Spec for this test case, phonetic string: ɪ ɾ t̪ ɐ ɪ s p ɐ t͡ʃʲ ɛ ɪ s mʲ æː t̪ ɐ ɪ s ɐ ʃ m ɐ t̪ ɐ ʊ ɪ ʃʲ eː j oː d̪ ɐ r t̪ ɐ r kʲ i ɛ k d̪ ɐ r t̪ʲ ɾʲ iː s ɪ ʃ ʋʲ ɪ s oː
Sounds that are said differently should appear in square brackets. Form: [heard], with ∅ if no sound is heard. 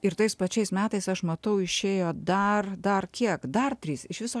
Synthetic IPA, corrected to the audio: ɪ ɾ t̪ ɐ ɪ s p ɐ t͡ʃʲ ɛ ɪ s mʲ æː t̪ ɐ ɪ s ɐ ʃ m ɐ t̪ ɐ ʊ ɪ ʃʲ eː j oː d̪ ɐ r [d̪] ɐ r kʲ i ɛ k d̪ ɐ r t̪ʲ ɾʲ iː s ɪ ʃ ʋʲ ɪ s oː